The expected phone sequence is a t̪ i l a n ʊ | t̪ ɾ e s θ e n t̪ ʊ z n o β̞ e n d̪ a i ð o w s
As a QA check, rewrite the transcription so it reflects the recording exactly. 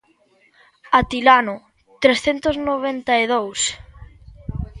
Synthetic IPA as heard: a t̪ i l a n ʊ | t̪ ɾ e s θ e n t̪ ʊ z n o β̞ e n t̪ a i ð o w s